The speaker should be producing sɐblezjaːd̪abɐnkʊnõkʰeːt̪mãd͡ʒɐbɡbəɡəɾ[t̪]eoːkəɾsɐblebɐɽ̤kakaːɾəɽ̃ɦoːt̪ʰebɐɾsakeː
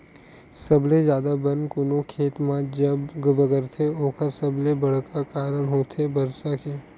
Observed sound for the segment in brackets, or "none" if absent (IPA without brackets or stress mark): t̪ʰ